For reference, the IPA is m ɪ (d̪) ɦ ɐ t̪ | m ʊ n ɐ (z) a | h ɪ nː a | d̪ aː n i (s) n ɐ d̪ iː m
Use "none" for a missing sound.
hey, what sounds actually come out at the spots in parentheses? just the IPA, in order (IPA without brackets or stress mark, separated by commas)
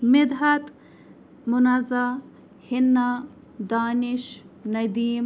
d̪, z, ʃ